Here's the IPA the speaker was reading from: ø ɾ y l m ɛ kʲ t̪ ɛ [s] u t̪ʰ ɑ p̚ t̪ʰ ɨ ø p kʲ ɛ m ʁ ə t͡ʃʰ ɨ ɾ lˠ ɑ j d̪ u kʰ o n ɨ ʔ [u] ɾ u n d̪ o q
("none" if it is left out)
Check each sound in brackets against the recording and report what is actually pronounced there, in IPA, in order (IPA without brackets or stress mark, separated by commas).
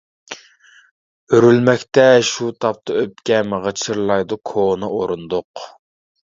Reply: ʃ, o